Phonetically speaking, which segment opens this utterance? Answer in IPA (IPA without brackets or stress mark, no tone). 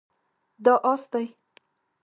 d̪